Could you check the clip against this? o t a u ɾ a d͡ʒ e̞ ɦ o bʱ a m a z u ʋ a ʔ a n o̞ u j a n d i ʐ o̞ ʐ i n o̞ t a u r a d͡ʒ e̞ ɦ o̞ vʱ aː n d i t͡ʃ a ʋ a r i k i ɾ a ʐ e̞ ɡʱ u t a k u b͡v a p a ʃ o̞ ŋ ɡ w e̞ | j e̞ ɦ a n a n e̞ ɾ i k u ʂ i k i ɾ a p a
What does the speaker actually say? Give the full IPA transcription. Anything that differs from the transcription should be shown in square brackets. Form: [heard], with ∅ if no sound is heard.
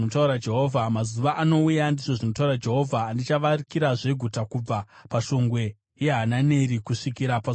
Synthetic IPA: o t a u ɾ a d͡ʒ e̞ ɦ o [vʱ] a m a z u ʋ a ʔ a n o̞ u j a n d i ʐ o̞ ʐ i n o̞ t a u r a d͡ʒ e̞ ɦ o̞ vʱ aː n d i t͡ʃ a ʋ a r i k i ɾ a ʐ e̞ ɡʱ u t a k u b͡v a p a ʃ o̞ ŋ ɡ w e̞ | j e̞ ɦ a n a n e̞ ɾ i k u ʂ i k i ɾ a p a